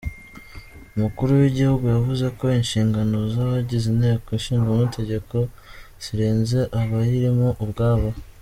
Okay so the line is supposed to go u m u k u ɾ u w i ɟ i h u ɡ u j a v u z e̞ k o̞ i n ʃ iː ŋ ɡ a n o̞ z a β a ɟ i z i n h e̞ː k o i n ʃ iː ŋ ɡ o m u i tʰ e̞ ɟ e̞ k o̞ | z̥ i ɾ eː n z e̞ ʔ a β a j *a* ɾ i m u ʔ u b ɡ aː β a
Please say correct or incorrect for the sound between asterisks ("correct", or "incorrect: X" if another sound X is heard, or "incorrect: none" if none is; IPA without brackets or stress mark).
incorrect: i